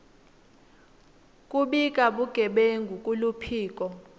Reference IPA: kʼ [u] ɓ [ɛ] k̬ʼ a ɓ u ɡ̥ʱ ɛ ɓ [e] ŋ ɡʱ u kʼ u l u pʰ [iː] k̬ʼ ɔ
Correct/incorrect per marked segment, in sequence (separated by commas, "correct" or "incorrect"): correct, incorrect, correct, correct